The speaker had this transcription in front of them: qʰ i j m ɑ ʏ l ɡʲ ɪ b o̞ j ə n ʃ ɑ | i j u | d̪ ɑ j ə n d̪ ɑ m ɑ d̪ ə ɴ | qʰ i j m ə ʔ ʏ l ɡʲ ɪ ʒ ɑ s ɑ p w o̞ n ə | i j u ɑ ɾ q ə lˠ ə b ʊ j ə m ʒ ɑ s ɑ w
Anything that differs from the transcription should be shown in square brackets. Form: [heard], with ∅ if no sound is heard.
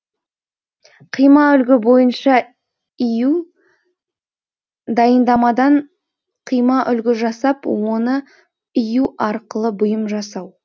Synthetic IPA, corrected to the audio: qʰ i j m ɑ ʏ l ɡʲ ɪ b o̞ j ə n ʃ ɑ | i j u | d̪ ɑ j ə n d̪ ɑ m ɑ d̪ [ɑ] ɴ | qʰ i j m [ɑ] ʔ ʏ l ɡʲ ɪ ʒ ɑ s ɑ p w o̞ n ə | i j u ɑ ɾ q ə lˠ ə b ʊ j ə m ʒ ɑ s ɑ w